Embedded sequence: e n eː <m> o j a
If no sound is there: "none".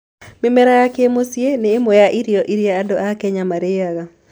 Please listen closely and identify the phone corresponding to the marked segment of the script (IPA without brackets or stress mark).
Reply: m